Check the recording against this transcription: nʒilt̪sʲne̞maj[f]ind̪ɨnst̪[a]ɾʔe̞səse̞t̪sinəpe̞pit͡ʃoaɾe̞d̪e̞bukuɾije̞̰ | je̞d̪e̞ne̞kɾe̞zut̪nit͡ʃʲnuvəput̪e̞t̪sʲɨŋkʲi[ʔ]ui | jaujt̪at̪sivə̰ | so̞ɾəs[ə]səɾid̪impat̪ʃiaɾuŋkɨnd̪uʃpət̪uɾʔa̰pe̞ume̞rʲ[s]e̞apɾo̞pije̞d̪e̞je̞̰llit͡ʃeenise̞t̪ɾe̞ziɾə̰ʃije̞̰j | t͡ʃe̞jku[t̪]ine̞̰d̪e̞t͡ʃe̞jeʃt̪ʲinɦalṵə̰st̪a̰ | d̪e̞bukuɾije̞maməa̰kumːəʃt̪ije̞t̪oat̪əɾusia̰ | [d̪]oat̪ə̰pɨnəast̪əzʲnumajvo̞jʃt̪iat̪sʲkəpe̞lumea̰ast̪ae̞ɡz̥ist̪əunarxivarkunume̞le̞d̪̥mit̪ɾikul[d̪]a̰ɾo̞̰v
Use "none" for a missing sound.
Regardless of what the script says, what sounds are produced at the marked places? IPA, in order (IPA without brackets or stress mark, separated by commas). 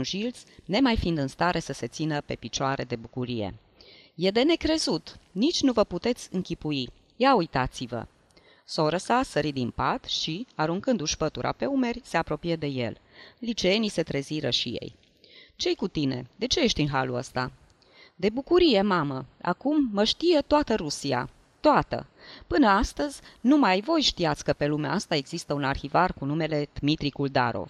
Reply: f, a, p, a, s, t̪, t̪, d̪